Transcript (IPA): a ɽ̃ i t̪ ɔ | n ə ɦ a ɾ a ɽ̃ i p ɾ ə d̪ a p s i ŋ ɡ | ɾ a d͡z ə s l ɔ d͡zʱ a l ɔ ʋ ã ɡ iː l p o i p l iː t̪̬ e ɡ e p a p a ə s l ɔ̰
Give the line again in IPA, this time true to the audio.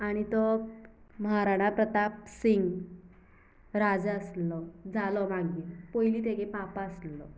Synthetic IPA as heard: a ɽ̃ i t̪ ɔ | m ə ɦ a ɾ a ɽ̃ a p ɾ ə t̪ a p s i ŋ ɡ | ɾ a d͡z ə s l ɔ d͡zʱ a l ɔ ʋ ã ɡ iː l p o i l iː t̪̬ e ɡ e p a p a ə s l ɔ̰